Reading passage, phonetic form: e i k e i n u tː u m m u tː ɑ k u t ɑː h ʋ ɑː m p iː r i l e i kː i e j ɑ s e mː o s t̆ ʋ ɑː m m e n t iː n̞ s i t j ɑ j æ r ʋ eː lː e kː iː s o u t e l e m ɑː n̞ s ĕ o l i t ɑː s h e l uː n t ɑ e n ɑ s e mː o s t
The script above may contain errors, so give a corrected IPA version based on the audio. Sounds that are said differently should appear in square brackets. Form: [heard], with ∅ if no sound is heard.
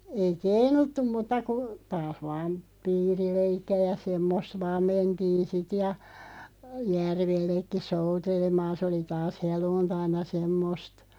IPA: e i k e i n u tː u m m u tː ɑ k u t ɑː h ʋ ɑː m p iː r i l e i kː i [æ] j ɑ s e mː o s t̆ ʋ ɑː m m e n t iː n̞ s i t j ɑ j æ r ʋ [e] lː e kː [i] s o u t e l e m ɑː n̞ s ĕ o l i t ɑː s h e l uː n t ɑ [i] n ɑ s e mː o s t